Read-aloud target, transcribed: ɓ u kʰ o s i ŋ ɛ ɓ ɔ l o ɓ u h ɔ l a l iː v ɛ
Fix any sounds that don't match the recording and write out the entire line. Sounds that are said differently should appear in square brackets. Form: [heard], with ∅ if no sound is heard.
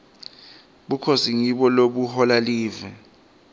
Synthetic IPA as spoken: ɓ u kʰ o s i ŋ [i] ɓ ɔ l o ɓ u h ɔ l a l iː v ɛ